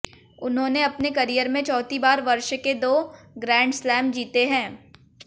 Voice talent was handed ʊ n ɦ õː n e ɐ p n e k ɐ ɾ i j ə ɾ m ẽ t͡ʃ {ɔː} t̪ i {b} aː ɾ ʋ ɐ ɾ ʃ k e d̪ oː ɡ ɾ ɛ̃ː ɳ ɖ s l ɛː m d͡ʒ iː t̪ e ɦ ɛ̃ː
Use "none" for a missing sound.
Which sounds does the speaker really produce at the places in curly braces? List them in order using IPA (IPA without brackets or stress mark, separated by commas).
ɔː, b